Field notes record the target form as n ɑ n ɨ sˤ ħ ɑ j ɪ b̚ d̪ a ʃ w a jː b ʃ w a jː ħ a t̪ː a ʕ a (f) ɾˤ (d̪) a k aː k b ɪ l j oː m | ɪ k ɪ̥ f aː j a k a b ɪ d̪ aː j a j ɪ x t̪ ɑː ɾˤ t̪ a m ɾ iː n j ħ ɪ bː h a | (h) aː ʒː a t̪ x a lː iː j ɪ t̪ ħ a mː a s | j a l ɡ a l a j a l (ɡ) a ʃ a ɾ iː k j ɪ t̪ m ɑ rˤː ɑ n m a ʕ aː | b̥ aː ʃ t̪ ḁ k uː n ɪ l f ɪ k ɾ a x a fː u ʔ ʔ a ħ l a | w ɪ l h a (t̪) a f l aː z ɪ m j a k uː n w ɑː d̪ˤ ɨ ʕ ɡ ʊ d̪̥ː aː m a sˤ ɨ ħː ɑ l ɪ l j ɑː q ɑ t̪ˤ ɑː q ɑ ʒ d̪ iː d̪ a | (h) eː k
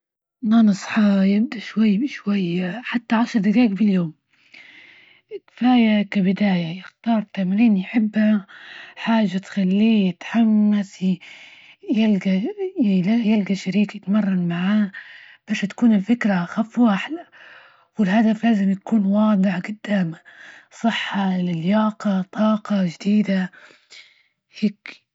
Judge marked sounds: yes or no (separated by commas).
no, yes, no, yes, no, yes